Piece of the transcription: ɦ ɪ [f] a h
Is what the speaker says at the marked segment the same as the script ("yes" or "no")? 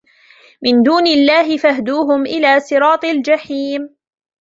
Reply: yes